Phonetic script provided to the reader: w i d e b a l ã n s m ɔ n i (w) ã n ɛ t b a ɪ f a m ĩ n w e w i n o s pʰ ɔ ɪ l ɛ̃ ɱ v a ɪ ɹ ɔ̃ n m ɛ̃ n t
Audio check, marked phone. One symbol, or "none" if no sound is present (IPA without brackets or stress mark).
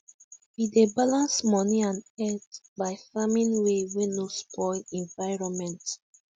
none